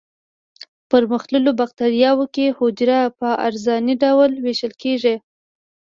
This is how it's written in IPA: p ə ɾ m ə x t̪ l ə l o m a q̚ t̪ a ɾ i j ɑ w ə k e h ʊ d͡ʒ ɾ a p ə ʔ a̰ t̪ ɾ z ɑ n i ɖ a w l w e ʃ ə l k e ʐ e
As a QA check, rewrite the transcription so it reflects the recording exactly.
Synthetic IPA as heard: p ə ɾ m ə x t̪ l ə l o b a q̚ t̪ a ɾ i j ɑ w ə k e h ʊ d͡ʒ ɾ a p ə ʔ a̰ ɾ z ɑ n i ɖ a w l w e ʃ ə l k e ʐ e